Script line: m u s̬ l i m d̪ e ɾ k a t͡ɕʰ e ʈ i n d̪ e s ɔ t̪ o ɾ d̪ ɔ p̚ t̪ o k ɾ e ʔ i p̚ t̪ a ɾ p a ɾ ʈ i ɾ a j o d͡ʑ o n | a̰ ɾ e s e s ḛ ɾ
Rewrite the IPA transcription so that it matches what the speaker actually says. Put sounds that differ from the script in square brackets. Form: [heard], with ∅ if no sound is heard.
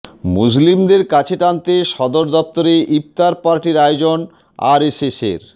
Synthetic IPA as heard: m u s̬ l i m d̪ e ɾ k a t͡ɕʰ e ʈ [a] n [t̪] e [ʃ] ɔ [d̪] o ɾ d̪ ɔ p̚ t̪ o [∅] ɾ e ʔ i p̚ t̪ a ɾ p a ɾ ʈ i ɾ a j o d͡ʑ o n | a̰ ɾ e s e s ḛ ɾ